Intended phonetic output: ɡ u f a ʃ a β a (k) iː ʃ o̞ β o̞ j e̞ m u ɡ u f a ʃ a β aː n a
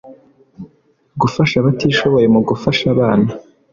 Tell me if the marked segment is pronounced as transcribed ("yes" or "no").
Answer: no